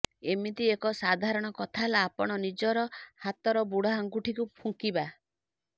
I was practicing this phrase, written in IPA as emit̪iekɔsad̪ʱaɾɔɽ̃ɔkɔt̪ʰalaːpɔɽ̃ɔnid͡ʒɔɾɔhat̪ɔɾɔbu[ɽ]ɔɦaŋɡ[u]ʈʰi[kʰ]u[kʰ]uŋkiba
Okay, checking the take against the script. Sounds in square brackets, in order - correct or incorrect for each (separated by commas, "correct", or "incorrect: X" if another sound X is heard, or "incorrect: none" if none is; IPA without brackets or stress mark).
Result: correct, correct, incorrect: k, incorrect: pʰ